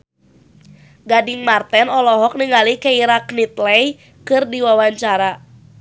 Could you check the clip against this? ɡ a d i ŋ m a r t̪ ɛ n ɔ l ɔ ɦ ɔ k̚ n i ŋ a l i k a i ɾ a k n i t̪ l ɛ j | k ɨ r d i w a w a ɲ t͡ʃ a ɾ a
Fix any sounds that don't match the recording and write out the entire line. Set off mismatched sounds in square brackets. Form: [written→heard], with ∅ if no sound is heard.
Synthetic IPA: ɡ a d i ŋ m a r t̪ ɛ n ɔ l ɔ ɦ ɔ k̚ n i ŋ a l i k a i ɾ a k n i t̪ l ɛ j | k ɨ r d i w a w a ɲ t͡ʃ a ɾ a

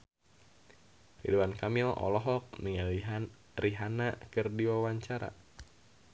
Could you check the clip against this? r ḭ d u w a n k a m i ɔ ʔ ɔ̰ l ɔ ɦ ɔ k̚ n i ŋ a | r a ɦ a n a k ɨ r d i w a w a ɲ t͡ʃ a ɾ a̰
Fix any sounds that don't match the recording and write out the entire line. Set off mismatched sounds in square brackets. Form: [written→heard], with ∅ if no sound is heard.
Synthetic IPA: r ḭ d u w a n k a m i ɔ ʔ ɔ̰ l ɔ ɦ ɔ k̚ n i ŋ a | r [a→i] ɦ a n a k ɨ r d i w a w a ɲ t͡ʃ a ɾ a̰

